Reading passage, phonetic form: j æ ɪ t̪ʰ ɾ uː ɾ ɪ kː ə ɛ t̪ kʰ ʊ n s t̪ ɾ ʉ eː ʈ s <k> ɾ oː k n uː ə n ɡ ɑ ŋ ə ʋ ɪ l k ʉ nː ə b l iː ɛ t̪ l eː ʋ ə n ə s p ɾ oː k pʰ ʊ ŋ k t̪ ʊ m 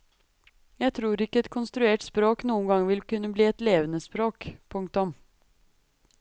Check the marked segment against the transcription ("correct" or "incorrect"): incorrect